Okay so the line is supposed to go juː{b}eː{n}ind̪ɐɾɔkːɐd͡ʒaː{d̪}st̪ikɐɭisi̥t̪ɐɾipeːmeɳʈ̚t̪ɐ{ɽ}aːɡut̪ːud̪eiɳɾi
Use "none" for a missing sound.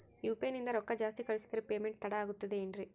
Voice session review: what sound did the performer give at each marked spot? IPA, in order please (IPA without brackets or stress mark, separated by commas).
p, n, none, ɽ